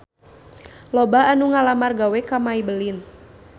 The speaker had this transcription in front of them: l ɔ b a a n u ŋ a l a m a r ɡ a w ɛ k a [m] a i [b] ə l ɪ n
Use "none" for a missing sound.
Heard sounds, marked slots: m, b

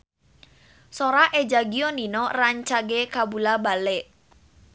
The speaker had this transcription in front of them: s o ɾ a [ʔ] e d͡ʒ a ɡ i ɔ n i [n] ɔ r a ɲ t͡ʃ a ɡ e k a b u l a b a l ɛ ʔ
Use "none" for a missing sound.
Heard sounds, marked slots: ʔ, n

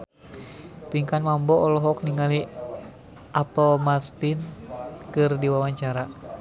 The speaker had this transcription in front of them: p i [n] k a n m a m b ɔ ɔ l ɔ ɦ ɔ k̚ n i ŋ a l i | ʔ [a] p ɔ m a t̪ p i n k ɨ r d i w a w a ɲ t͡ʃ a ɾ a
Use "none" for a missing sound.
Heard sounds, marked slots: ŋ, a

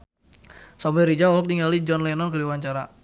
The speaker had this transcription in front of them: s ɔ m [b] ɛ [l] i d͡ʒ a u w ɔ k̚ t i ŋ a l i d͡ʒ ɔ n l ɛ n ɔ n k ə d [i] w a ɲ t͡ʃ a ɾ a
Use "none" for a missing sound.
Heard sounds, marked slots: b, ɾ, i

